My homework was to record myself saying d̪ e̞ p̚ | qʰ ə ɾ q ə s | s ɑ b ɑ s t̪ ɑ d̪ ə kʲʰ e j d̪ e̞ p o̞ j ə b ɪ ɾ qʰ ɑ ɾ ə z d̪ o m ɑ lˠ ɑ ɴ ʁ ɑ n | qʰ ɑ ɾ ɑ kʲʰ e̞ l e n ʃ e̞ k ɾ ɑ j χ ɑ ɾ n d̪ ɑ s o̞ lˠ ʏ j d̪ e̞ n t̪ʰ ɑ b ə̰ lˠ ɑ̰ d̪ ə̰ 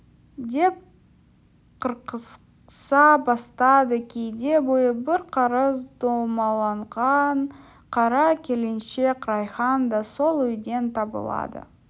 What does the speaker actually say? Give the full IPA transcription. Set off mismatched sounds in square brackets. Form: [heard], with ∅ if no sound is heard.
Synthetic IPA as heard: d̪ e̞ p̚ | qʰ ə ɾ q ə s | s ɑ b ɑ s t̪ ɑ d̪ ə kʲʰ e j d̪ e̞ [b] o̞ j ə b ɪ ɾ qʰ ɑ ɾ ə z d̪ o m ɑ lˠ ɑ ɴ ʁ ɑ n | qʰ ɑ ɾ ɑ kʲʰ e̞ l e n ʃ e̞ k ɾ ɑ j χ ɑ [∅] n d̪ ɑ s o̞ lˠ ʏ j d̪ e̞ n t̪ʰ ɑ b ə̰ lˠ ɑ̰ d̪ ə̰